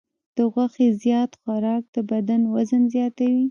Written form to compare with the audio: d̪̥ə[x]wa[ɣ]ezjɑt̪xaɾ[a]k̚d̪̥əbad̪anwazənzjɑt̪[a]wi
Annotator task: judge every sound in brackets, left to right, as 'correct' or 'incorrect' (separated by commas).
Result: incorrect, incorrect, incorrect, correct